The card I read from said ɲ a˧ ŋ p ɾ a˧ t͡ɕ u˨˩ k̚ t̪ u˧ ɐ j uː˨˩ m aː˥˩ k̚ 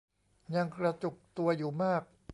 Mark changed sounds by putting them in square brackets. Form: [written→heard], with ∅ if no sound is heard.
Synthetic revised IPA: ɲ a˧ ŋ [p→k] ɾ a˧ t͡ɕ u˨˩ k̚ t̪ u˧ ɐ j uː˨˩ m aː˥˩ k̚